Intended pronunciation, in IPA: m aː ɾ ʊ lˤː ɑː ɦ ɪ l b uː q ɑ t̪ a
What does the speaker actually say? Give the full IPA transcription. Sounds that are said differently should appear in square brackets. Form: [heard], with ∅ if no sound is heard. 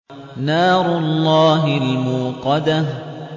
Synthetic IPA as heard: [n] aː ɾ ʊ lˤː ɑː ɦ ɪ l [m] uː q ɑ [d̪] a